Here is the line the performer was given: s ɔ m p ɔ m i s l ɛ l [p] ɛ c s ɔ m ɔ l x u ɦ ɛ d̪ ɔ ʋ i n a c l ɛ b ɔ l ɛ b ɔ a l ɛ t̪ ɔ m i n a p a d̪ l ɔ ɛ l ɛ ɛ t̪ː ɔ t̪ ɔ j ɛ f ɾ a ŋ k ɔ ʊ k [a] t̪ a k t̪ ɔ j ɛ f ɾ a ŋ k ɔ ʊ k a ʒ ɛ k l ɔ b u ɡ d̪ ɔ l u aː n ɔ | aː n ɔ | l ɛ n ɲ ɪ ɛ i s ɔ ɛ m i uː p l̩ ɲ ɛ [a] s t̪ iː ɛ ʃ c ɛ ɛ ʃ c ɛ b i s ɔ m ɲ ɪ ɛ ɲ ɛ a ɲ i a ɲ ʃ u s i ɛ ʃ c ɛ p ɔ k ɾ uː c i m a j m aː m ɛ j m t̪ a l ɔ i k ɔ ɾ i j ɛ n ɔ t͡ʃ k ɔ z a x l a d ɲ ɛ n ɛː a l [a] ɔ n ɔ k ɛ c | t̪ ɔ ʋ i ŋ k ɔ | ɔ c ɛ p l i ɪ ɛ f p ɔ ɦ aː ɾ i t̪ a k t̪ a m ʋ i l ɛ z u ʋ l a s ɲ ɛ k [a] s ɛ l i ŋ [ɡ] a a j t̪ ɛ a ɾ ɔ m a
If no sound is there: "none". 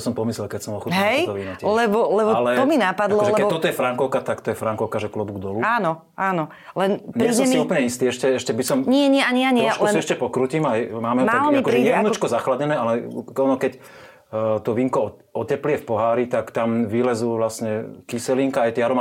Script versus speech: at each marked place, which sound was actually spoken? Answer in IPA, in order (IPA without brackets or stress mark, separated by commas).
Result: k, a, i, ɛ, i, k